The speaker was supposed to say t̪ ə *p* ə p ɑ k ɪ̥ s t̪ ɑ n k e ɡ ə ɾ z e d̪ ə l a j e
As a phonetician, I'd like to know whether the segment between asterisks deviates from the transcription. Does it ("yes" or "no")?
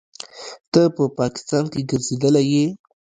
no